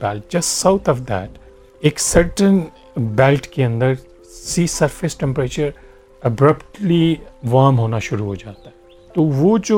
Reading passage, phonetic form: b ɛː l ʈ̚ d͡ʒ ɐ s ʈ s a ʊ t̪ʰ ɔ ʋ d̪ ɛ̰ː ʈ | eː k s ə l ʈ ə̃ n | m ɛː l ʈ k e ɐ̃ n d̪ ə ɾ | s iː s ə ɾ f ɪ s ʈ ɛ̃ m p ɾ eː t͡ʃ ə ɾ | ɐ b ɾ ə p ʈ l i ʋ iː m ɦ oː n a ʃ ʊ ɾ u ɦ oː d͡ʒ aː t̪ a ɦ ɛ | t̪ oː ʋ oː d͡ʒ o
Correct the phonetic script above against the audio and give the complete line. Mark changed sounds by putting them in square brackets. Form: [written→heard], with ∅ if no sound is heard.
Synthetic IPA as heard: b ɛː l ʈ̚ d͡ʒ ɐ s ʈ s a ʊ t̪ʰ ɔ ʋ d̪ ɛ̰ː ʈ | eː k s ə [l→ɾ] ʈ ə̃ n | [m→b] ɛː l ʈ k e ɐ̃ n d̪ ə ɾ | s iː s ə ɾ f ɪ s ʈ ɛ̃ m p ɾ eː t͡ʃ ə ɾ | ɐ b ɾ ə p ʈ l i ʋ [iː→aː] m ɦ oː n a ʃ ʊ ɾ u ɦ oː d͡ʒ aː t̪ a ɦ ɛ | t̪ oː ʋ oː d͡ʒ o